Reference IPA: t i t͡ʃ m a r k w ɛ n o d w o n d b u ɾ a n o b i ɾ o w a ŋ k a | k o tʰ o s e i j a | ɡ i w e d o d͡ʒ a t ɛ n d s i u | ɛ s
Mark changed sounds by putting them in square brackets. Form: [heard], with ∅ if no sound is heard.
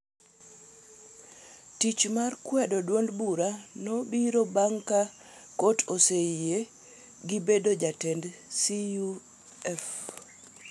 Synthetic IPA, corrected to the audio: t i t͡ʃ m a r k w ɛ [d] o d w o n d b u ɾ a n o b i ɾ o [b] a ŋ k a | k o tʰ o s e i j [e] | ɡ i [b] e d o d͡ʒ a t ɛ n d s i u | ɛ [f]